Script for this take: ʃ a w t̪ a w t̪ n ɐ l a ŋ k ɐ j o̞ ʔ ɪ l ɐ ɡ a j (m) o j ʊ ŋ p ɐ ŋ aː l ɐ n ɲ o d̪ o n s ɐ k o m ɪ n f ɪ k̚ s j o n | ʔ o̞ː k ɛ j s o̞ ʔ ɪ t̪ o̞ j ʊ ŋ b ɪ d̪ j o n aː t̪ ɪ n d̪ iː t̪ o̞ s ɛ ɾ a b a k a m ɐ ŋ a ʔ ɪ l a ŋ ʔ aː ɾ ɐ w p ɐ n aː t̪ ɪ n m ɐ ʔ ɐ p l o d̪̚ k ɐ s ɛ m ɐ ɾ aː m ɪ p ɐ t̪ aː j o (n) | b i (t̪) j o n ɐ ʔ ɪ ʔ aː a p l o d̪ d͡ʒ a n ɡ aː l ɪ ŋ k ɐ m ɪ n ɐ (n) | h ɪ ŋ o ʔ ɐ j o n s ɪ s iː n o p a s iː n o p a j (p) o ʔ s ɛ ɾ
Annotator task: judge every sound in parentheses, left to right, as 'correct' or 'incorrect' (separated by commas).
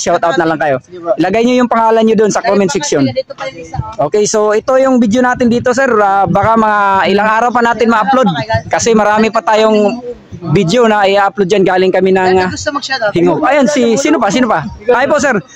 incorrect, incorrect, incorrect, incorrect, correct